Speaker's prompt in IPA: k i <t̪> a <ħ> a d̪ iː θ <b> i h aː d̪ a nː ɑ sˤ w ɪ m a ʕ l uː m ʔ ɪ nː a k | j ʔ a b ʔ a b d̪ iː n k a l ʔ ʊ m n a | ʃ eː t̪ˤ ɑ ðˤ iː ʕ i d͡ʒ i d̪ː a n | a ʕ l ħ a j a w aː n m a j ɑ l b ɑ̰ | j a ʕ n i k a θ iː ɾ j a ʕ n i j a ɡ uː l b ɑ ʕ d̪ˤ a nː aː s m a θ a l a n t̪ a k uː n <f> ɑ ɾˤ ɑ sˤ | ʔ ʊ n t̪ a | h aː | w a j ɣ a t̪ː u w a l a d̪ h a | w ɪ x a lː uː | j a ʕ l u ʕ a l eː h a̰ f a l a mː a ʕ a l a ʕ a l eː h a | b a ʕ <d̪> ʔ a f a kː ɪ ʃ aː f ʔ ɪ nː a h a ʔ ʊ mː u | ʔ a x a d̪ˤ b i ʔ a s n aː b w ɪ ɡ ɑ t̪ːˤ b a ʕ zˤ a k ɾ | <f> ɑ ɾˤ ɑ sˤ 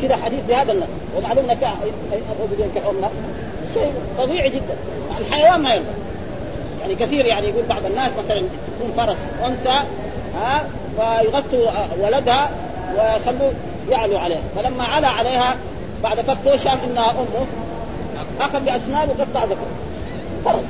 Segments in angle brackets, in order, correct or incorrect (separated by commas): incorrect, correct, correct, correct, correct, correct